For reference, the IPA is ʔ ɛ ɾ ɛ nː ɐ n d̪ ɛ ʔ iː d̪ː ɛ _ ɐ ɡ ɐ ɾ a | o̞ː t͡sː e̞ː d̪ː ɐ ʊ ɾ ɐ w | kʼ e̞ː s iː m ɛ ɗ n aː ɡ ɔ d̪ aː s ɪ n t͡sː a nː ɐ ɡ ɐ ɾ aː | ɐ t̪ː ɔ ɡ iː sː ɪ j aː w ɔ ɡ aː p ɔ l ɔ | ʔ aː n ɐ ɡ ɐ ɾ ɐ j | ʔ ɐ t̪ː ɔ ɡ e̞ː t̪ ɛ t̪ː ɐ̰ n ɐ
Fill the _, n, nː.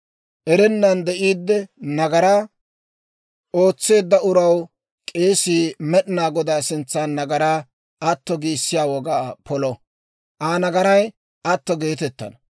n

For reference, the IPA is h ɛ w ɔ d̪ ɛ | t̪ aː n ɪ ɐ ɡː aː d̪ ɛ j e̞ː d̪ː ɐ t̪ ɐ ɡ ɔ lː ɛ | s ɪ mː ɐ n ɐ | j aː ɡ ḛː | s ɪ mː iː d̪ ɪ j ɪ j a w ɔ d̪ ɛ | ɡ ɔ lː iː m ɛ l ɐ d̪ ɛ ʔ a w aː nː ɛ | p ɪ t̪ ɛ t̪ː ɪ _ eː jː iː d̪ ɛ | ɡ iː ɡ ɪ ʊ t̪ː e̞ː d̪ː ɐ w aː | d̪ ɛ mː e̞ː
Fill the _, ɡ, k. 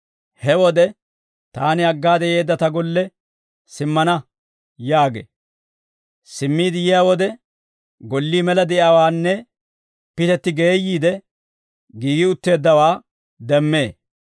ɡ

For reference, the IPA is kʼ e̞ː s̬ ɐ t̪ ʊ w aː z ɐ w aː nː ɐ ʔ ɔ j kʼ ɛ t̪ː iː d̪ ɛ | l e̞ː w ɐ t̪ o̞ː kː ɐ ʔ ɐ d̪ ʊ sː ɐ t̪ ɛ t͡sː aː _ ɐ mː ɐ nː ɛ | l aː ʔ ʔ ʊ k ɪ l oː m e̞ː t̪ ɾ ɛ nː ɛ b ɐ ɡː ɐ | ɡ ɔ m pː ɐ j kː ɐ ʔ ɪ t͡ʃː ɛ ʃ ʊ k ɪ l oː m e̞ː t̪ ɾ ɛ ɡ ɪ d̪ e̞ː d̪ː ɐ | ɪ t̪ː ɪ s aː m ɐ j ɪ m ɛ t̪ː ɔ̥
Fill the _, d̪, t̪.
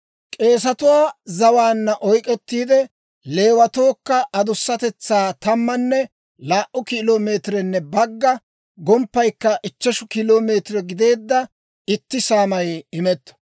t̪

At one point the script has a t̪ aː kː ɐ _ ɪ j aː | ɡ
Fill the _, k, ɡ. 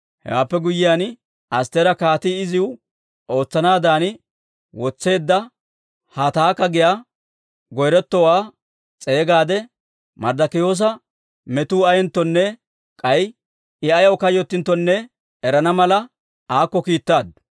ɡ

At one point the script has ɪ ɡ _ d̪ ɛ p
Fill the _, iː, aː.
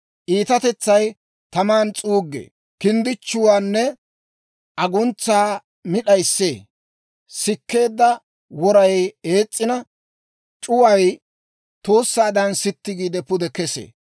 iː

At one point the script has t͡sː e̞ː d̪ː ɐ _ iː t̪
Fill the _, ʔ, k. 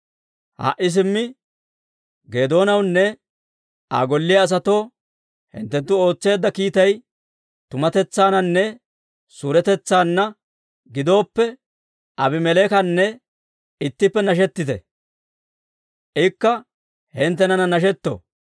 k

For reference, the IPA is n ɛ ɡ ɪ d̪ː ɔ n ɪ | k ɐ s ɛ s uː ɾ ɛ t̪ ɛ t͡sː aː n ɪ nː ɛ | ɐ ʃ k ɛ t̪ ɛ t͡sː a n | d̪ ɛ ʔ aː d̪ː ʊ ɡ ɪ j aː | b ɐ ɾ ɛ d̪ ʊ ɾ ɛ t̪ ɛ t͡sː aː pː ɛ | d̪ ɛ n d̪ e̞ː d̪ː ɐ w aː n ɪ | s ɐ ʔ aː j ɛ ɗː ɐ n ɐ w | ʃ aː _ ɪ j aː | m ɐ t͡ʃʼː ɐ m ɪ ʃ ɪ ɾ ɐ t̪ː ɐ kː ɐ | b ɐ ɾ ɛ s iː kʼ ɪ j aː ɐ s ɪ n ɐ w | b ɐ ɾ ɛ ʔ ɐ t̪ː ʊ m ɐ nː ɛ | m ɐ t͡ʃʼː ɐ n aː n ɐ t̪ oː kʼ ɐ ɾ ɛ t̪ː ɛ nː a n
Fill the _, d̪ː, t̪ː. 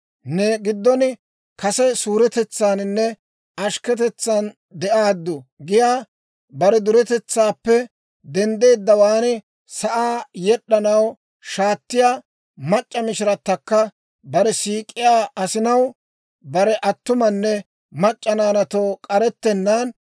t̪ː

